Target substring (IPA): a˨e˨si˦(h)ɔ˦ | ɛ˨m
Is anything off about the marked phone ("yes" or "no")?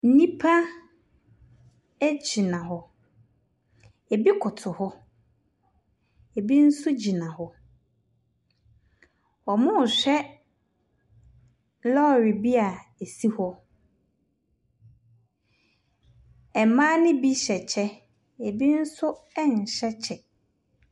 no